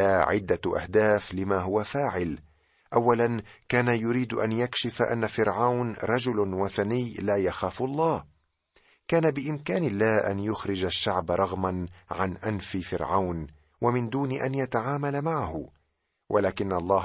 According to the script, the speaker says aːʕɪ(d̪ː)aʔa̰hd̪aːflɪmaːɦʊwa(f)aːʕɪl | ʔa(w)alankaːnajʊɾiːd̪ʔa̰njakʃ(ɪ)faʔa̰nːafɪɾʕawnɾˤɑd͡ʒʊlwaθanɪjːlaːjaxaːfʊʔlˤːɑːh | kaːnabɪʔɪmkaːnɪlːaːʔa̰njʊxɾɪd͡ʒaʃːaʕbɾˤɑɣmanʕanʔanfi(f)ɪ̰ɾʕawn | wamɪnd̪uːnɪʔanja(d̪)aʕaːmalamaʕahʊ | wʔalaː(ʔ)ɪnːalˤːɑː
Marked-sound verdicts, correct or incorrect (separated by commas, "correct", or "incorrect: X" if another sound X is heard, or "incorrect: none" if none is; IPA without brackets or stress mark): correct, correct, incorrect: wː, correct, correct, incorrect: t̪, incorrect: k